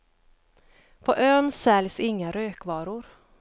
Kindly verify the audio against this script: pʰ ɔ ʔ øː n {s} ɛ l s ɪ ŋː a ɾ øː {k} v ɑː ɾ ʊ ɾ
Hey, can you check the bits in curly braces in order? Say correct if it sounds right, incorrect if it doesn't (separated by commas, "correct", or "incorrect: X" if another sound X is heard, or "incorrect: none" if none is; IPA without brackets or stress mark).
correct, correct